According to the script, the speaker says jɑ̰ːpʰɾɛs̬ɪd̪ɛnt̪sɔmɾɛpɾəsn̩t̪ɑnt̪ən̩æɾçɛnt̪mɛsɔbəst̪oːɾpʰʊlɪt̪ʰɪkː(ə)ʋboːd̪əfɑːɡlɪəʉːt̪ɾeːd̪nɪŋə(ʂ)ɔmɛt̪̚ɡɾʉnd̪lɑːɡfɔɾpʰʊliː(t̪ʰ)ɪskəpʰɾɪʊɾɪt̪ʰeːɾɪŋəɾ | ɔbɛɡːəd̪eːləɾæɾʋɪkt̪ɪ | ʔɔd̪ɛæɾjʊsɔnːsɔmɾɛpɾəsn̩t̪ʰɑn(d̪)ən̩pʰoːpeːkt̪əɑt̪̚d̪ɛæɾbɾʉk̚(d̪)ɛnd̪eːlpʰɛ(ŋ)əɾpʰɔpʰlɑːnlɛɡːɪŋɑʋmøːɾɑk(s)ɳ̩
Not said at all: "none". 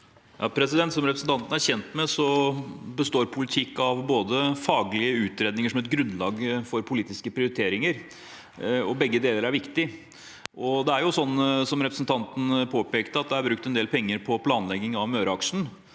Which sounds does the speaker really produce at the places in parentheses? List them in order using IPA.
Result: ɑ, ʂ, t̪, t̪, t̪, ŋː, ʂ

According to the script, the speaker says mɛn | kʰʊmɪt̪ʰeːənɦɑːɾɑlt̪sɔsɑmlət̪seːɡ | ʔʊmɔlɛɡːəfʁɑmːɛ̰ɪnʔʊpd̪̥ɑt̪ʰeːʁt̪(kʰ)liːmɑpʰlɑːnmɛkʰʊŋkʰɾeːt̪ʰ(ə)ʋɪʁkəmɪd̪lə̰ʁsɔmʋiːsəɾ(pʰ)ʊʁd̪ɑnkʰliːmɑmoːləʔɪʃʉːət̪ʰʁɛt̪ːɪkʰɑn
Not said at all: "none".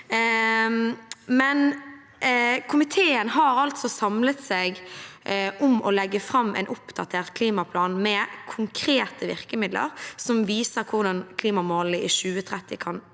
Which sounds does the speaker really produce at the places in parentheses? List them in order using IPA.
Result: kʰ, ə, kʰ

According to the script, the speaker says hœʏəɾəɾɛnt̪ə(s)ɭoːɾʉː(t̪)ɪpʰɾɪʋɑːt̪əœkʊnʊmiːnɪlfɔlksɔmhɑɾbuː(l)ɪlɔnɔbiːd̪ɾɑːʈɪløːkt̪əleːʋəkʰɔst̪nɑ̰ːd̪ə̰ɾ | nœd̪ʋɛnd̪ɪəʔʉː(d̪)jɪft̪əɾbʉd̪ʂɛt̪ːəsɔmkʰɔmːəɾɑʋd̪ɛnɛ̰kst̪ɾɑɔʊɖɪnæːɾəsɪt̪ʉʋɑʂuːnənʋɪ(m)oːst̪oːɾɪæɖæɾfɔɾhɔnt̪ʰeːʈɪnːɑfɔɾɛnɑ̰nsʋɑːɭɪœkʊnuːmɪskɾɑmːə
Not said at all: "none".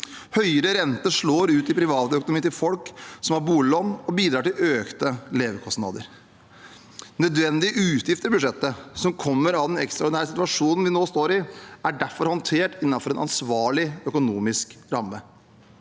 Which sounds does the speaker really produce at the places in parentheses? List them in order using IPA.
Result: ʂ, t̪, l, t̪, n

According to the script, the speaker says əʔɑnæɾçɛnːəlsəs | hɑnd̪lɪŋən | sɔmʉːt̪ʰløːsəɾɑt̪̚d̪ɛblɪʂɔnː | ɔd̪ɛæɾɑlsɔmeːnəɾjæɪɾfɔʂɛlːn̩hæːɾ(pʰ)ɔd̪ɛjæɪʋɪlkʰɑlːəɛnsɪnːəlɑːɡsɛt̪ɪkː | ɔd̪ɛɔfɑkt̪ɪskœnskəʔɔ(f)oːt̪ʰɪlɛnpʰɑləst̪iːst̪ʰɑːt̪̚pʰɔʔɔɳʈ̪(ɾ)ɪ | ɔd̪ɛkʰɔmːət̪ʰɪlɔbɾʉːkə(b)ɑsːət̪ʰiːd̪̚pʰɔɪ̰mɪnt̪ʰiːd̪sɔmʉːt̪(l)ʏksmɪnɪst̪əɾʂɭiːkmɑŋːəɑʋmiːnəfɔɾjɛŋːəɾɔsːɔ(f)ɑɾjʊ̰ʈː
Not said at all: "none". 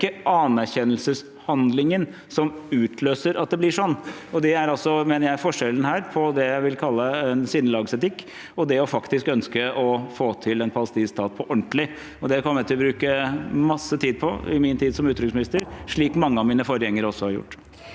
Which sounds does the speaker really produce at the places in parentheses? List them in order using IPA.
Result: pʰ, f, l, m, ɾ, h

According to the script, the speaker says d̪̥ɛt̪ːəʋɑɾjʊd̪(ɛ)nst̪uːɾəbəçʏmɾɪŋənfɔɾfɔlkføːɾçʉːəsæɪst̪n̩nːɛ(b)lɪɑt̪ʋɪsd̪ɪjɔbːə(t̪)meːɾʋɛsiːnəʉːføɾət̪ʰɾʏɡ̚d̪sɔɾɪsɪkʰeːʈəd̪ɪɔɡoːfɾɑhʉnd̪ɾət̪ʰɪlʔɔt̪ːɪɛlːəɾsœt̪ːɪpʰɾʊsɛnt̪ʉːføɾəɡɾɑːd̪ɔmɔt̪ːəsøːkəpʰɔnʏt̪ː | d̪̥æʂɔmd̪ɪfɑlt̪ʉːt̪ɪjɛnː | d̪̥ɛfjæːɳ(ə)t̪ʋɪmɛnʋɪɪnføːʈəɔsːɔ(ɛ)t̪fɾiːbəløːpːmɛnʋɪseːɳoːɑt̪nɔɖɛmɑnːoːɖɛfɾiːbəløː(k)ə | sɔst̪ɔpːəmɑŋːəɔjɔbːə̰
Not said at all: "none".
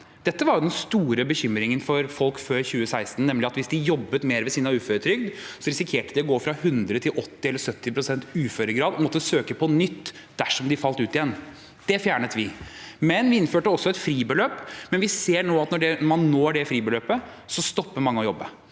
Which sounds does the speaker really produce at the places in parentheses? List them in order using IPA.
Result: ɛ, m, t̪, ə, ɛ, p

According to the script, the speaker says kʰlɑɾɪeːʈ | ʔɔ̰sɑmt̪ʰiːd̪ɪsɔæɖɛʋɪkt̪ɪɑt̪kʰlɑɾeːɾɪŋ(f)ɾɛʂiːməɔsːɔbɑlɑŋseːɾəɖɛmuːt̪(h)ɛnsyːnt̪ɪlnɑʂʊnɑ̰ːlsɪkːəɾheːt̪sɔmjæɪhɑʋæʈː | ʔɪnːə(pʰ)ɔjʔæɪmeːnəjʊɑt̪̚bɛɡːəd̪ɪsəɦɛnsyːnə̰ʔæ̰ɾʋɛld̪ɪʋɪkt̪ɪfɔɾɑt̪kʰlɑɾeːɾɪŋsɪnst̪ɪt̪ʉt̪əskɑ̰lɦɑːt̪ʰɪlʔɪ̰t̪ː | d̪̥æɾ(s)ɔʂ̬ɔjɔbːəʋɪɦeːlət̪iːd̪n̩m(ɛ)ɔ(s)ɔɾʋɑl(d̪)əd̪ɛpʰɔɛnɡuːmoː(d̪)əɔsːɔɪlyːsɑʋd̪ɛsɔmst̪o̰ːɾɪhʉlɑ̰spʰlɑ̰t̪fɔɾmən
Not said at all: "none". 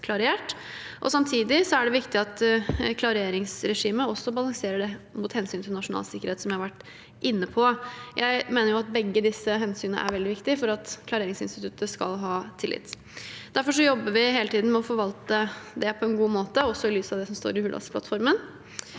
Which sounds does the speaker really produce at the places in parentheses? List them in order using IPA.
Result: s, h, pʰ, f, ɛ, f, t̪, t̪

